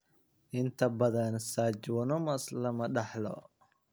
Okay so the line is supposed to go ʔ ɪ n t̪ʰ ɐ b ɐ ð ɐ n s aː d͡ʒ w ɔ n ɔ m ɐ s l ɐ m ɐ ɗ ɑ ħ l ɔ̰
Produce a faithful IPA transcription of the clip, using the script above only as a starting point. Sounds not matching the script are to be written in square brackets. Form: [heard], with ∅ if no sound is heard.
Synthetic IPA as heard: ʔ ɪ n t̪ʰ ɐ b ɐ ð ɐ n s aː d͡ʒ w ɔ n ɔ m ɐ s l ɐ m ɐ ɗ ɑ ħ l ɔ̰

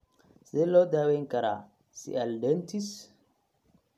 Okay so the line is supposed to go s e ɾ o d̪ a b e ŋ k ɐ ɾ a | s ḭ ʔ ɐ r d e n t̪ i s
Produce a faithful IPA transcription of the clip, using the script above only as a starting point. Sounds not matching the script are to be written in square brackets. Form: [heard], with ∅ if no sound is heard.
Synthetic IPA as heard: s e [l] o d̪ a [w] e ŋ k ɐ ɾ a | s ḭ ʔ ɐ [l] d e n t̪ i s

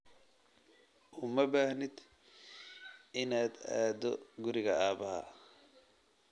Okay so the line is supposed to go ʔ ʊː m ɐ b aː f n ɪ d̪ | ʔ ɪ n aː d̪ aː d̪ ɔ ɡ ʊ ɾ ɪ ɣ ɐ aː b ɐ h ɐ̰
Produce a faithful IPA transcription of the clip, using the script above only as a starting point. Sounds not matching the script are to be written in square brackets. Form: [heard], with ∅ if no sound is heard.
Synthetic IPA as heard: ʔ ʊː m ɐ b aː [h] n ɪ d̪ | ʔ ɪ n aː d̪ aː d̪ ɔ ɡ ʊ ɾ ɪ ɣ ɐ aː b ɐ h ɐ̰

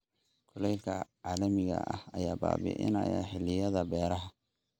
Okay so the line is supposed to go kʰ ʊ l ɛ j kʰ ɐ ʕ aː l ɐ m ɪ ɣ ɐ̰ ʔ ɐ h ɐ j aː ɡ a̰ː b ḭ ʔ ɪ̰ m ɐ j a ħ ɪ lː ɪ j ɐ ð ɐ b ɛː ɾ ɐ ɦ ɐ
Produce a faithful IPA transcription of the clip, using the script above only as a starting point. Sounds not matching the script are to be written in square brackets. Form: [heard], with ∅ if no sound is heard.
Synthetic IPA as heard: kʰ ʊ l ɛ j kʰ ɐ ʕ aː l ɐ m ɪ ɣ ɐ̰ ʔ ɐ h ɐ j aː [b] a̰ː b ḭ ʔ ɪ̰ [n] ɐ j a ħ ɪ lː ɪ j ɐ ð ɐ b ɛː ɾ ɐ ɦ ɐ

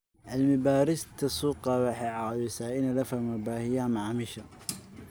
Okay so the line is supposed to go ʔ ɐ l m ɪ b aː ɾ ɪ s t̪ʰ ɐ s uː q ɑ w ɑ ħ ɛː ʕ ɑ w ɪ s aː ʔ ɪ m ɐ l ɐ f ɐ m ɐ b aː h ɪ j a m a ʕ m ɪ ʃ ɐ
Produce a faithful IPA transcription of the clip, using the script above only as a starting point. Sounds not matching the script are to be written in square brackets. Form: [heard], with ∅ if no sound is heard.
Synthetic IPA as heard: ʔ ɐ l m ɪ b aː ɾ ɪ s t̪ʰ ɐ s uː q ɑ w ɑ ħ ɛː ʕ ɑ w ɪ s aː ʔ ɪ [n] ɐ l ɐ f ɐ m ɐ b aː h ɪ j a m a ʕ m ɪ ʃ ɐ

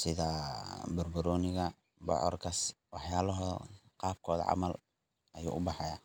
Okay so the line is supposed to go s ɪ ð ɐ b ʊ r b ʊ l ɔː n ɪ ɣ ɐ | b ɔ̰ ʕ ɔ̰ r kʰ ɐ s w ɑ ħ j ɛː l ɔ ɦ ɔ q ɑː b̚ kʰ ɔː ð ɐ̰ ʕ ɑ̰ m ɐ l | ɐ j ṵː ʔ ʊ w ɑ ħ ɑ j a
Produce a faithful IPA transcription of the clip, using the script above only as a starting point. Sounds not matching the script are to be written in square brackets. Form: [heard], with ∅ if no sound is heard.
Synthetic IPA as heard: s ɪ ð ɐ b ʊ r b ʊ [ɾ] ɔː n ɪ ɣ ɐ | b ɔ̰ ʕ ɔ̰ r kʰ ɐ s w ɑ ħ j [aː] l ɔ ɦ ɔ q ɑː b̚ kʰ ɔː ð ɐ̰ ʕ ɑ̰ m ɐ l | ɐ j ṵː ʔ ʊ [b] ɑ ħ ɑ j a

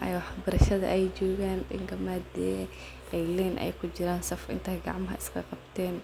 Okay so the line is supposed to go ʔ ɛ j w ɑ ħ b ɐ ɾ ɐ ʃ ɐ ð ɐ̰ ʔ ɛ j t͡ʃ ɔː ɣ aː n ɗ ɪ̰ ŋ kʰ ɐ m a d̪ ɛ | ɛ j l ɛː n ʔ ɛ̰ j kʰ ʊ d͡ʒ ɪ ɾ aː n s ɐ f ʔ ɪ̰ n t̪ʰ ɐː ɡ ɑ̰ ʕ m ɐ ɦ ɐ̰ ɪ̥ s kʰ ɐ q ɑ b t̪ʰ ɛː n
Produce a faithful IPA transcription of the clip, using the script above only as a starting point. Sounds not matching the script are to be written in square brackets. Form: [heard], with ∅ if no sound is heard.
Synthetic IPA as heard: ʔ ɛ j w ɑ ħ b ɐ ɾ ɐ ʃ ɐ ð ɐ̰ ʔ ɛ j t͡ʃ ɔː ɣ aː n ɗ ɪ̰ ŋ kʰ ɐ m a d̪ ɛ | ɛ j l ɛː n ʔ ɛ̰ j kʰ ʊ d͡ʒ ɪ ɾ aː n s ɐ f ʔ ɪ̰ n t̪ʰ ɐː ɡ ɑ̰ ʕ m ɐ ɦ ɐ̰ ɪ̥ s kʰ ɐ q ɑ b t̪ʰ ɛː n

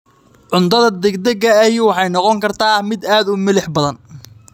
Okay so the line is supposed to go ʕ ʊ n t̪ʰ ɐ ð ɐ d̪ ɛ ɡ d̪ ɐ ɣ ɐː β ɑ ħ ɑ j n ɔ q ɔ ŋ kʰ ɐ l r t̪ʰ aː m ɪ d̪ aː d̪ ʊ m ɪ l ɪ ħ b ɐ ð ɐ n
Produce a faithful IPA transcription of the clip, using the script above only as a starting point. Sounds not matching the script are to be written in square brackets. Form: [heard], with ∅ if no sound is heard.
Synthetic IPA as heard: ʕ ʊ n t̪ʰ ɐ ð ɐ d̪ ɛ ɡ d̪ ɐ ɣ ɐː [w] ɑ ħ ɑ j n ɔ q ɔ ŋ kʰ ɐ [∅] r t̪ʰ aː m ɪ d̪ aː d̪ ʊ m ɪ l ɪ ħ b ɐ ð ɐ n

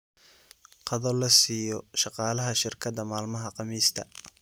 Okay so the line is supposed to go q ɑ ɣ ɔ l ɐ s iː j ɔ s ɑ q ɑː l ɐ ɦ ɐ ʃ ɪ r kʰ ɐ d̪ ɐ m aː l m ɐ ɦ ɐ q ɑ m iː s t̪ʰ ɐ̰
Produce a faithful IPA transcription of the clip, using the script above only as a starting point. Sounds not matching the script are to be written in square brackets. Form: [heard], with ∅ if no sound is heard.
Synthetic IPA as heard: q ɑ [ð] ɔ l ɐ s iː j ɔ [ʃ] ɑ q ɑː l ɐ ɦ ɐ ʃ ɪ r kʰ ɐ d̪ ɐ m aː l m ɐ ɦ ɐ q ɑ m iː s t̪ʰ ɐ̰

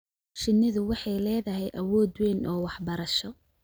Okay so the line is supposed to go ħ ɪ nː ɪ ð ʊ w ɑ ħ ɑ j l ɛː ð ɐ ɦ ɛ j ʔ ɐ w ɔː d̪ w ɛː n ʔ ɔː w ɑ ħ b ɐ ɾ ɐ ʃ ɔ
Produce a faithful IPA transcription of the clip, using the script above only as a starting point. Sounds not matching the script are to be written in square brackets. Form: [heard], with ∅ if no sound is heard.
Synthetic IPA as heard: [ʃ] ɪ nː ɪ ð ʊ w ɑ ħ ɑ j l ɛː ð ɐ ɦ ɛ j ʔ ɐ w ɔː d̪ w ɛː n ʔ ɔː w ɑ ħ b ɐ ɾ ɐ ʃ ɔ

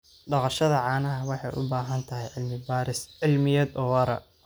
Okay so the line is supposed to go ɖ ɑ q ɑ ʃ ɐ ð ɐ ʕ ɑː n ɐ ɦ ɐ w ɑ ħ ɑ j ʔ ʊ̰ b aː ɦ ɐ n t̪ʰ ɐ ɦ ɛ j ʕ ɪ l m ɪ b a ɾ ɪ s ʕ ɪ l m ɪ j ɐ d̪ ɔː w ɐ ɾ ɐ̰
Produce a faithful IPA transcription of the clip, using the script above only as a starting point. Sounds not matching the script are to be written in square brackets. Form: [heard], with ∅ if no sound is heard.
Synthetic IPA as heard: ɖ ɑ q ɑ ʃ ɐ ð ɐ ʕ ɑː n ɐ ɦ ɐ w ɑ ħ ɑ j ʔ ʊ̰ b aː ɦ ɐ n t̪ʰ ɐ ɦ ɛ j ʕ ɪ l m ɪ b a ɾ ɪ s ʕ ɪ l m ɪ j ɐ d̪ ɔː w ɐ ɾ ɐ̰

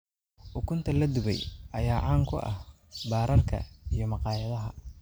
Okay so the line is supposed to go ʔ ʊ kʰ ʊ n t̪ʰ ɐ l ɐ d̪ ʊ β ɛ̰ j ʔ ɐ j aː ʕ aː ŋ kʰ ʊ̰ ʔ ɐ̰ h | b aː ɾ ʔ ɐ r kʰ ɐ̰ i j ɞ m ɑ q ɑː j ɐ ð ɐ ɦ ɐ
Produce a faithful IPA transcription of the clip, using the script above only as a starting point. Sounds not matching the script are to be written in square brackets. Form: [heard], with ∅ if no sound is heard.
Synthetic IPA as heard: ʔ ʊ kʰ ʊ n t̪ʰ ɐ l ɐ d̪ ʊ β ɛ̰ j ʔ ɐ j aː ʕ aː ŋ kʰ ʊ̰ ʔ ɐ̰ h | b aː ɾ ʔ ɐ r kʰ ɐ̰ i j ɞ m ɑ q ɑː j ɐ ð ɐ ɦ ɐ

